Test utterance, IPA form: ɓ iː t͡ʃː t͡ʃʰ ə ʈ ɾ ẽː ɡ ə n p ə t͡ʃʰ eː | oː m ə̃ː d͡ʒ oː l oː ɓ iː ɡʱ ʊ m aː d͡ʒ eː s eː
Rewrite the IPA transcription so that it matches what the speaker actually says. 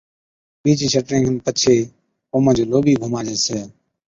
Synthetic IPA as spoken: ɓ iː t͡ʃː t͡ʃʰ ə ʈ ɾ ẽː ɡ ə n p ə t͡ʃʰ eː | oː m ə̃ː d͡ʒ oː l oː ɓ iː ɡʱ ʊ m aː d͡ʒ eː s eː